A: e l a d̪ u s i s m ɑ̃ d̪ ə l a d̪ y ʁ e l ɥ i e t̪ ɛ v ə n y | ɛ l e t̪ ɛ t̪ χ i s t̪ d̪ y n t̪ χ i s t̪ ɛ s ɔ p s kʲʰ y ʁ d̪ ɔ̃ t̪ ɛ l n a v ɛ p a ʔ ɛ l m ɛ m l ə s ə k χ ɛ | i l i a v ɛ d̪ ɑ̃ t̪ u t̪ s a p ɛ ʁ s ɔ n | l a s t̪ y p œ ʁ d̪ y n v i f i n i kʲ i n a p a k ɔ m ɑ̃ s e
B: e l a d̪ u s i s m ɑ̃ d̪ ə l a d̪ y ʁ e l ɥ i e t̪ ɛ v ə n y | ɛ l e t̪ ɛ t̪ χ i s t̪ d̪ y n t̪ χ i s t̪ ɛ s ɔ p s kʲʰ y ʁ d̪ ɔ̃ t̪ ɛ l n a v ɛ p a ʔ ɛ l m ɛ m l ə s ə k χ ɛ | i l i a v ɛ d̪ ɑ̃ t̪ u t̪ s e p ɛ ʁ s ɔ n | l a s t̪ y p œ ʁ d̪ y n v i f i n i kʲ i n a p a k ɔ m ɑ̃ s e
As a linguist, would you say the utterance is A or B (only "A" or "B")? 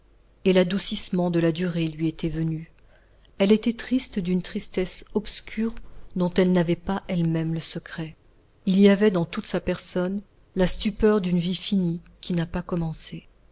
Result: A